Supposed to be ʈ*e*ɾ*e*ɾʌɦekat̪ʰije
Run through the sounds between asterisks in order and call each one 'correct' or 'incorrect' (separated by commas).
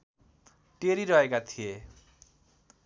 correct, incorrect